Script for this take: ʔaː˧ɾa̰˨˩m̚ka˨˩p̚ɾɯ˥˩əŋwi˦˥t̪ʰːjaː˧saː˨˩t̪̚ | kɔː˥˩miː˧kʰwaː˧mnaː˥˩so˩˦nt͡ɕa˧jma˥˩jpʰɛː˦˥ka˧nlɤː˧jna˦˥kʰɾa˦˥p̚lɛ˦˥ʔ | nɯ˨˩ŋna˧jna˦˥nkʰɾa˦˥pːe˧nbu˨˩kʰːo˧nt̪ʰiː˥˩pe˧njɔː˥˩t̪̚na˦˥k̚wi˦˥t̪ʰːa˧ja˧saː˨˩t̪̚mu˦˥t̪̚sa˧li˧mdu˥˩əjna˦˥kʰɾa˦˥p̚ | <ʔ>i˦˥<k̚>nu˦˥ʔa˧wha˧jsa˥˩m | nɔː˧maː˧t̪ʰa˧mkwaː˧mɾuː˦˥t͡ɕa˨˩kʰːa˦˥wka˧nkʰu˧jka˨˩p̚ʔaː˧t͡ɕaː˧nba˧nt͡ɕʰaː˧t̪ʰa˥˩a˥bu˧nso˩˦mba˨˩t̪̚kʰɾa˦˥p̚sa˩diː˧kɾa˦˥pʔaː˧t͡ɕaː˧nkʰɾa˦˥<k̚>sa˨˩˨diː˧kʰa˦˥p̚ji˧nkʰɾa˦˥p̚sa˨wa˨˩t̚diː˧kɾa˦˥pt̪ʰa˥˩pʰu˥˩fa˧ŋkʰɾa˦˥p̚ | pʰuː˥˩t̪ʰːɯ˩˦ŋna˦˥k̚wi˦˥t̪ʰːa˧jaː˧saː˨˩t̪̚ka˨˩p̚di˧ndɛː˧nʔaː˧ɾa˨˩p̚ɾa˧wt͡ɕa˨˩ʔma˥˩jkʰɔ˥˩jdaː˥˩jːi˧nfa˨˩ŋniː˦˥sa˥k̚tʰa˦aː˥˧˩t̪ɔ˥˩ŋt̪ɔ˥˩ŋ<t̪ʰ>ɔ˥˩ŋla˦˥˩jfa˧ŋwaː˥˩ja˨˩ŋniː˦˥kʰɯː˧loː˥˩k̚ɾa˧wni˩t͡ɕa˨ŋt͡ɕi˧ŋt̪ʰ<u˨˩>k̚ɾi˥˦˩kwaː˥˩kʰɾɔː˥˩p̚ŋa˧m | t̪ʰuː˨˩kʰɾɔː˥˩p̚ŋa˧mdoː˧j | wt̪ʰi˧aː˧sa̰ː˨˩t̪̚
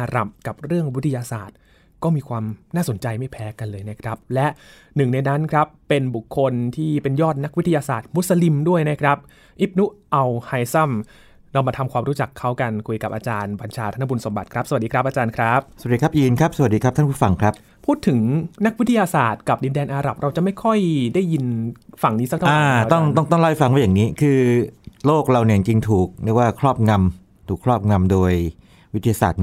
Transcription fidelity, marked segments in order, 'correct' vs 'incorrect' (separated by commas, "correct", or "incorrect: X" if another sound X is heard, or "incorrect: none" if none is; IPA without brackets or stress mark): correct, incorrect: p̚, incorrect: p̚, incorrect: t̪, incorrect: uː˨˩